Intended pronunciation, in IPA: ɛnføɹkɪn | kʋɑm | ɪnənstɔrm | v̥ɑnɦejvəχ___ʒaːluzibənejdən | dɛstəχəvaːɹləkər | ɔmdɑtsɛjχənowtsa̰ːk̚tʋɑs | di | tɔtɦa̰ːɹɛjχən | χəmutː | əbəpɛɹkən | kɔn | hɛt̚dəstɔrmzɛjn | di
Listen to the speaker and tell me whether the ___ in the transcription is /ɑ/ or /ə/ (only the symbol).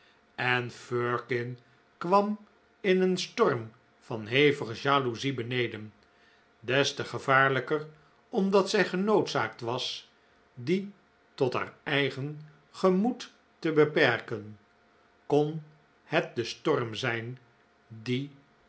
ə